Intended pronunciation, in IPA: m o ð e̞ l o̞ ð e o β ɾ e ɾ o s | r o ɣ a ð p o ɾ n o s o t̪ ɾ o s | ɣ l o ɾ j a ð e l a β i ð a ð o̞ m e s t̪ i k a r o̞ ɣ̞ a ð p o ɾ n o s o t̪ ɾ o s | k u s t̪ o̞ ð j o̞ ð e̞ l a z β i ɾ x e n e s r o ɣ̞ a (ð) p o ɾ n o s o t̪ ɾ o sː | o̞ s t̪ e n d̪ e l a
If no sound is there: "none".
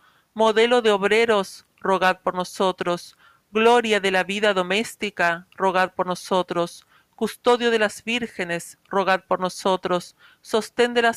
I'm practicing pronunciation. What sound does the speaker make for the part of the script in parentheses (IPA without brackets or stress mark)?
ð